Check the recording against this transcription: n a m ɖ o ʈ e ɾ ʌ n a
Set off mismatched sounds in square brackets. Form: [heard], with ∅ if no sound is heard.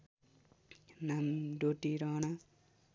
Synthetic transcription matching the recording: n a m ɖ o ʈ [i] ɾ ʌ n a